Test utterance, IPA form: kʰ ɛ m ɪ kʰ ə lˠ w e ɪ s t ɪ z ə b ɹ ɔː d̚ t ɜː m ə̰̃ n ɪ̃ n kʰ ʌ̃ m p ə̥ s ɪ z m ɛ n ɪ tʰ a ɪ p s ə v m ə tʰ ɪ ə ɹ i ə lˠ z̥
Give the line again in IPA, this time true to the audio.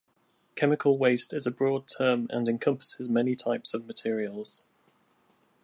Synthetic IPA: kʰ ɛ m ɪ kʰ ə lˠ w e ɪ s t ɪ z ə b ɹ ɔː d̚ tʰ ɜː m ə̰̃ n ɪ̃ n kʰ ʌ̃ m p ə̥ s ɪ z m ɛ n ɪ tʰ a ɪ p s ə v m ə tʰ ɪ ə ɹ i ə lˠ z̥